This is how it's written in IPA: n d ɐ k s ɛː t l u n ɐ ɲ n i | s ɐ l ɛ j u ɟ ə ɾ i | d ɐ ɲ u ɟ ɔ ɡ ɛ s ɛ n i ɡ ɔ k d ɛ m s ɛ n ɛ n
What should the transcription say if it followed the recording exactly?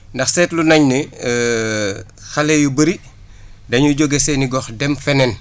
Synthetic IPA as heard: n d ɐ x s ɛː t l u n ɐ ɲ n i | x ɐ l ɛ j u b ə ɾ i | d ɐ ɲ u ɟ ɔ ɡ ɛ s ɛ n i ɡ ɔ x d ɛ m f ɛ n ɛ n